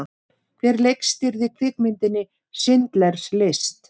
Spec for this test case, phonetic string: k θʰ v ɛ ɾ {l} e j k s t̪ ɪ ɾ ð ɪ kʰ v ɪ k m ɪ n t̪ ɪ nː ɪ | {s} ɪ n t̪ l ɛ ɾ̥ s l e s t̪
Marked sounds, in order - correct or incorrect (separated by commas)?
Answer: correct, correct